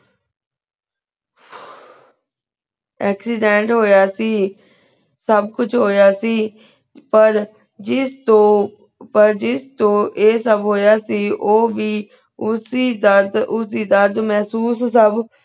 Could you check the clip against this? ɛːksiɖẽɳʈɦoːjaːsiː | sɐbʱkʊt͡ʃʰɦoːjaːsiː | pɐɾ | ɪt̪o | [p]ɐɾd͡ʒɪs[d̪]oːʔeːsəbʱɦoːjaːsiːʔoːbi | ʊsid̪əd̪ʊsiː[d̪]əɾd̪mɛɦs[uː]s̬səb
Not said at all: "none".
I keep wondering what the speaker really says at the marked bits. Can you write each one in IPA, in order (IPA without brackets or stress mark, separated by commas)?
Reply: p, t̪, d̪, uː